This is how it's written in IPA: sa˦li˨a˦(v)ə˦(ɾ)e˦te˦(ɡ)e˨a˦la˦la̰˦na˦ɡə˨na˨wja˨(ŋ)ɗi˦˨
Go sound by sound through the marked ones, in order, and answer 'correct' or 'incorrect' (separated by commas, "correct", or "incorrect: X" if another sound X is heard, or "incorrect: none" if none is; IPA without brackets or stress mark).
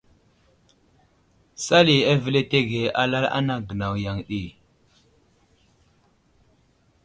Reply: correct, incorrect: l, correct, correct